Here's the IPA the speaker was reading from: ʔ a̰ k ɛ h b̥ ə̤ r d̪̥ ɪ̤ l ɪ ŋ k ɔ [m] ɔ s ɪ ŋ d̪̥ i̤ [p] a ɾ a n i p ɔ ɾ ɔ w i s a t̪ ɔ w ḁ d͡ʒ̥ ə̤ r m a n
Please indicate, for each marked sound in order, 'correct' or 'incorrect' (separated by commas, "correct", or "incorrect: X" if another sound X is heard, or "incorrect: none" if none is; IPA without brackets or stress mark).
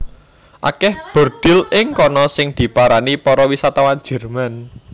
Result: incorrect: n, correct